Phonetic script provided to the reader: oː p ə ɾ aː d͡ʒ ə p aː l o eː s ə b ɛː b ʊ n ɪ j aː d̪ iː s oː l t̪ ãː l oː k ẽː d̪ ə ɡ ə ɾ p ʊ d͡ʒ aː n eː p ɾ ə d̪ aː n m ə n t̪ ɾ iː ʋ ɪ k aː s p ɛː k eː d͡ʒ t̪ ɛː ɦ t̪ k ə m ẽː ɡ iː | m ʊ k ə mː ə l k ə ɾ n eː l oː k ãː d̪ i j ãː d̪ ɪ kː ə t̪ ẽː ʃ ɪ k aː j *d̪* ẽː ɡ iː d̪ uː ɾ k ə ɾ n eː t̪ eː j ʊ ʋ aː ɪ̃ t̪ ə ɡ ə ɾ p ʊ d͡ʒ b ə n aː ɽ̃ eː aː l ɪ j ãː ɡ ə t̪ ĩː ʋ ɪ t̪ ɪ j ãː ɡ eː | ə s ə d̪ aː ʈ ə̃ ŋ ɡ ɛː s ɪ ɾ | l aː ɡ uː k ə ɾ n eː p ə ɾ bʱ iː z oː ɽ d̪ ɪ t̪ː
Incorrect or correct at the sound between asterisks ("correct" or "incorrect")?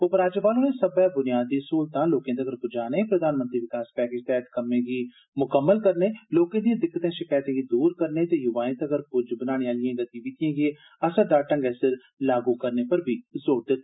incorrect